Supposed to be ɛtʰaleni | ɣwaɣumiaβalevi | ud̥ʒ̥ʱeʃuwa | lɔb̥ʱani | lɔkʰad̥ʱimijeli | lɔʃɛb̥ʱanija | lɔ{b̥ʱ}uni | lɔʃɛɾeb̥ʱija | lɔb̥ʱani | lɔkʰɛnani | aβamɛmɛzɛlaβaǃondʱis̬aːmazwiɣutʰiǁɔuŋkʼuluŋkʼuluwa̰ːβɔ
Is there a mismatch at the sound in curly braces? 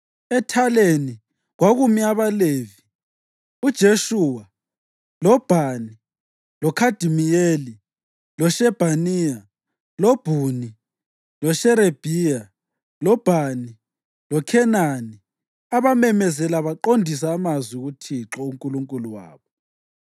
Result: no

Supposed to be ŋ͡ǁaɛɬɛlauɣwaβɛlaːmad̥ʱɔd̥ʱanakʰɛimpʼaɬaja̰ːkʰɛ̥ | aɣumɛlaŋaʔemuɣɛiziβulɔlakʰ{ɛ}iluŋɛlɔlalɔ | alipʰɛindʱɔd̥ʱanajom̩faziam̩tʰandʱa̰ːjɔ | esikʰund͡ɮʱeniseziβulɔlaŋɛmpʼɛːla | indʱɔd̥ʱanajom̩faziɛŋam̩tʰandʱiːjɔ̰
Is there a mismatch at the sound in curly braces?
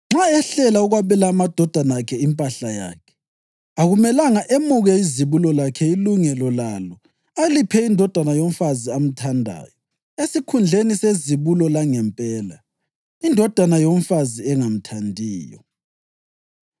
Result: no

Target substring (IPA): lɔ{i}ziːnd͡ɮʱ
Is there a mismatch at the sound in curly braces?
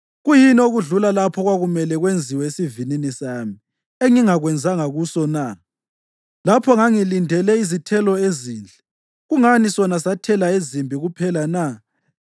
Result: yes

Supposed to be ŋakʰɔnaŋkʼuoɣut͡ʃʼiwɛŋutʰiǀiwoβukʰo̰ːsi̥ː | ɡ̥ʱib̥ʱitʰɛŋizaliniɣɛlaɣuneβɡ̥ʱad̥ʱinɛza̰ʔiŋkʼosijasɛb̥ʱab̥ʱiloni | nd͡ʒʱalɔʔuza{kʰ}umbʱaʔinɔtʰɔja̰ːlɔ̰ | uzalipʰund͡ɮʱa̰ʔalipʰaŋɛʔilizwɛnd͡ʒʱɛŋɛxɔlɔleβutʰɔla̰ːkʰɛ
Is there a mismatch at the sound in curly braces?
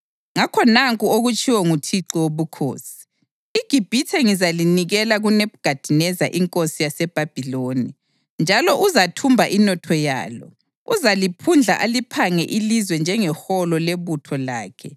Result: yes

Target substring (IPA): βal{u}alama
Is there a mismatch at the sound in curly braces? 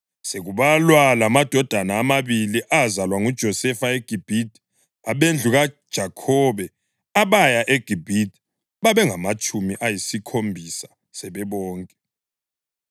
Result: yes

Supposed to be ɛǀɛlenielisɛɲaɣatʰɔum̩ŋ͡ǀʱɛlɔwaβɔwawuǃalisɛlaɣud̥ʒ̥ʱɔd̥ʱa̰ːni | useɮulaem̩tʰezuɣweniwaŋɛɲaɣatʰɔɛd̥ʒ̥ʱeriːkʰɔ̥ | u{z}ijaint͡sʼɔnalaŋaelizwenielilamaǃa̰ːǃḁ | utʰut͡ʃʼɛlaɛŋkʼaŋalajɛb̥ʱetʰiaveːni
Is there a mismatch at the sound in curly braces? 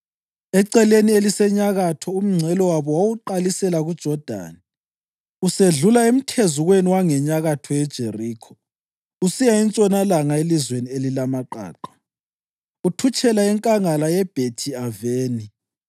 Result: yes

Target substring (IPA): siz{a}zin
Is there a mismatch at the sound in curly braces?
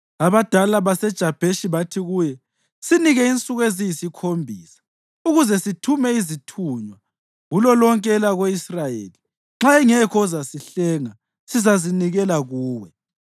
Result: no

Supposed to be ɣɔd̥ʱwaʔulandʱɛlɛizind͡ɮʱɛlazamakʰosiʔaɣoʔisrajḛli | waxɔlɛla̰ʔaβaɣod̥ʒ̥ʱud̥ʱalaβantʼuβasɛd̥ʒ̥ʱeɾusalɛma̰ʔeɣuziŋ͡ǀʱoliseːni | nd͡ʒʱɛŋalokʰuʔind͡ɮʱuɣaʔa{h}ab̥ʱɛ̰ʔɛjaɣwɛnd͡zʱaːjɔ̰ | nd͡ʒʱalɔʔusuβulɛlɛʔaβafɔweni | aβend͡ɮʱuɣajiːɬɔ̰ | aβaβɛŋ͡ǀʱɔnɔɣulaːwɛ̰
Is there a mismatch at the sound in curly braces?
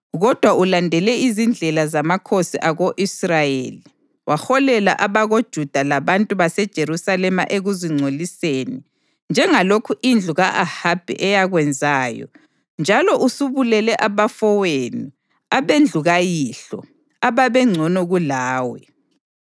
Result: no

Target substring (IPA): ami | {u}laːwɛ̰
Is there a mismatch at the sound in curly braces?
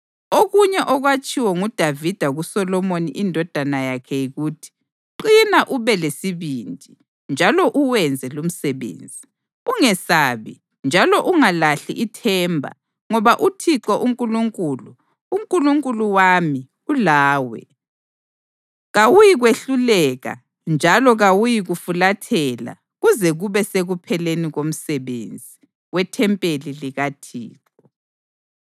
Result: no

